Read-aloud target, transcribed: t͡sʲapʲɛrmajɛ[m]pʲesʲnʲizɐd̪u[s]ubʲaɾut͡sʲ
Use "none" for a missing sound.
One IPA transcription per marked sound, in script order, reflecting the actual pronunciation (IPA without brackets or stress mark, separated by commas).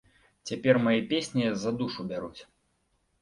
none, ʂ